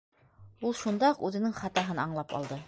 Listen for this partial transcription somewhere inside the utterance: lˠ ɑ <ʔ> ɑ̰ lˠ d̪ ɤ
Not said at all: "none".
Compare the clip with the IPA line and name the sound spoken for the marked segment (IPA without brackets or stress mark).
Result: p